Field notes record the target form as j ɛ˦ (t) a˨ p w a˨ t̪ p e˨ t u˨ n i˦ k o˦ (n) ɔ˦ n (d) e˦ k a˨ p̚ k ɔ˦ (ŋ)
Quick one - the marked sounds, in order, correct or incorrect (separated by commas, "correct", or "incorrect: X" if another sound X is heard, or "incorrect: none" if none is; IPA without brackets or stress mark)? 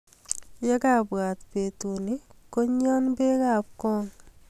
incorrect: k, incorrect: ɲ, incorrect: b, correct